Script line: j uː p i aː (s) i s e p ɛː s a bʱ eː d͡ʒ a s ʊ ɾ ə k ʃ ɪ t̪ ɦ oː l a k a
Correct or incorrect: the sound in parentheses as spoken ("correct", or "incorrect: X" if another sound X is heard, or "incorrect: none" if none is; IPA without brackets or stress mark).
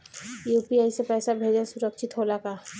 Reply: incorrect: none